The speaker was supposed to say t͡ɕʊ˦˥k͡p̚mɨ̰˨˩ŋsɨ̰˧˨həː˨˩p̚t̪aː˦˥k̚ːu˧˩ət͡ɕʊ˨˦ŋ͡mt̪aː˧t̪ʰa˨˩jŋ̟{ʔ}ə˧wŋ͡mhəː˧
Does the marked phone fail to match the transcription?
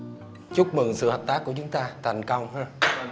yes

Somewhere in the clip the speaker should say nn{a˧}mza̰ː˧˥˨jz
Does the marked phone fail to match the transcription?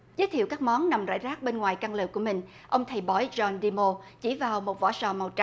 yes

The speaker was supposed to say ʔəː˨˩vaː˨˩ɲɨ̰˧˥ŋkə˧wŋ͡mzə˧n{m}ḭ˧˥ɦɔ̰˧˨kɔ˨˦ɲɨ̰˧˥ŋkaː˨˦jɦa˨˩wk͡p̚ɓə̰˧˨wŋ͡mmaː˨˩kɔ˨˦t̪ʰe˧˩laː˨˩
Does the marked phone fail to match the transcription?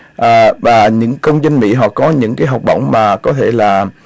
no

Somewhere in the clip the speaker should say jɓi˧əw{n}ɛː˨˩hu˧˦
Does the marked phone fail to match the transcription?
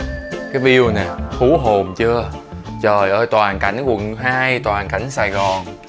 no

